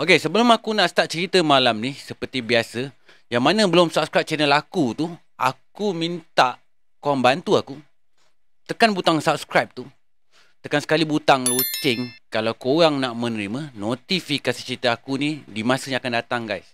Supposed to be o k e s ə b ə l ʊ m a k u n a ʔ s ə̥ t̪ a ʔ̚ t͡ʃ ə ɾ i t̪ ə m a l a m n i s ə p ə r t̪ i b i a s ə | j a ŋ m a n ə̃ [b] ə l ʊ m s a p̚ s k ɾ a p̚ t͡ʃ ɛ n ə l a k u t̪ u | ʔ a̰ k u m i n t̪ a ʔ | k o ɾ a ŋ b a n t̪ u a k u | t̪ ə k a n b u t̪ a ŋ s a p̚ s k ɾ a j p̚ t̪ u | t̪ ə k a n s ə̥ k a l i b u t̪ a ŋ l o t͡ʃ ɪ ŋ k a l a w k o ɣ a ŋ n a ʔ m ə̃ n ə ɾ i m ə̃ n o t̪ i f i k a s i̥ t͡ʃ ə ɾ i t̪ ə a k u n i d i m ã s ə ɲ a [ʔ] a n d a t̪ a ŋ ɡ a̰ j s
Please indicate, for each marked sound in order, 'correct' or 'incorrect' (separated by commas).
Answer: correct, incorrect